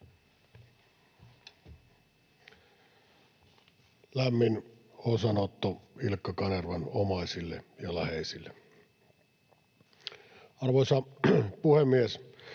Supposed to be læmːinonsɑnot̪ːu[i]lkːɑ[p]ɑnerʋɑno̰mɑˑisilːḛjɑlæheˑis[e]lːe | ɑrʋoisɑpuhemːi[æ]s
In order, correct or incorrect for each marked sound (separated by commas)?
correct, incorrect, incorrect, incorrect